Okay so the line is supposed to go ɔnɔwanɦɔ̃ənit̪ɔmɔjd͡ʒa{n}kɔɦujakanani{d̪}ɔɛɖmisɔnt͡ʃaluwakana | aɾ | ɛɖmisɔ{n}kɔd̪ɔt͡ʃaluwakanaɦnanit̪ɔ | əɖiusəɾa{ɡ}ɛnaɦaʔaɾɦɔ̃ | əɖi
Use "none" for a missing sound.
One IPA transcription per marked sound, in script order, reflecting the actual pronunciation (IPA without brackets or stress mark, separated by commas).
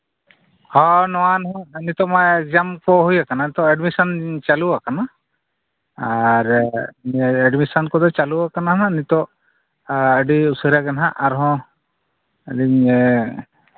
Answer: m, t̪, n, ɡ